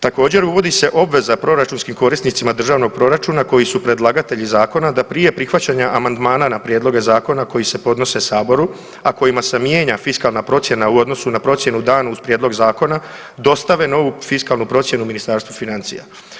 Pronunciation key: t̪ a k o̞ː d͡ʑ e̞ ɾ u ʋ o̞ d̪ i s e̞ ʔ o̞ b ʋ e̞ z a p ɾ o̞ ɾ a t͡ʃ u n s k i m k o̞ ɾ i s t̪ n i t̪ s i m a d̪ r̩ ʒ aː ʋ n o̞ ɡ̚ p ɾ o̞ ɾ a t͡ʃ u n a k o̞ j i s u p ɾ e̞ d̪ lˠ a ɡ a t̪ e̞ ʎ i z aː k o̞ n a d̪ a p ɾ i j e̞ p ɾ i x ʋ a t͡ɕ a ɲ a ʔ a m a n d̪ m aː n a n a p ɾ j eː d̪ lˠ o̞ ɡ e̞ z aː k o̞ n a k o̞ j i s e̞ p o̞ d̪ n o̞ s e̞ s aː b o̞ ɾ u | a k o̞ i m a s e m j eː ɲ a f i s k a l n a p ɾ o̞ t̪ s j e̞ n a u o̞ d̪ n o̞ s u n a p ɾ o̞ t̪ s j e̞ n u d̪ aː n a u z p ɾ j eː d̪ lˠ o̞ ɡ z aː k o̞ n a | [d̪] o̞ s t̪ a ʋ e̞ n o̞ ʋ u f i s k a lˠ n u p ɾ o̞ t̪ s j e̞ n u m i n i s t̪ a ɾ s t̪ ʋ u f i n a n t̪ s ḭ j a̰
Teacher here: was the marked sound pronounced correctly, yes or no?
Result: yes